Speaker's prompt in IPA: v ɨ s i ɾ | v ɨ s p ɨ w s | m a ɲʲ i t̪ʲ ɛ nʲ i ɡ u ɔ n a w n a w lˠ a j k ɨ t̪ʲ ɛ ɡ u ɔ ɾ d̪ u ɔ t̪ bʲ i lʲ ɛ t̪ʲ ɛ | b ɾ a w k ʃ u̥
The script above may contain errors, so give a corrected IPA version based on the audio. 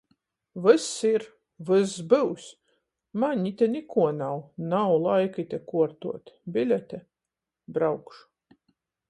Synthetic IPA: v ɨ s i ɾ | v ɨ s b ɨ w s | m a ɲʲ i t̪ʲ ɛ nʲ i k u ɔ n a w n a w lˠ a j k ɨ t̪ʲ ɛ k u ɔ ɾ t̪ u ɔ t̪ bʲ i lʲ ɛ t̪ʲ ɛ | b ɾ a w k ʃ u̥